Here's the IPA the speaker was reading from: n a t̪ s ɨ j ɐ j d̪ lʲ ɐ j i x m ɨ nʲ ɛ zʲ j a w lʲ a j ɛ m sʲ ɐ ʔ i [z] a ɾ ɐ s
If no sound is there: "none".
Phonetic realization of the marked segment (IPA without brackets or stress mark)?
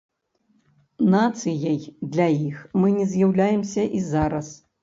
z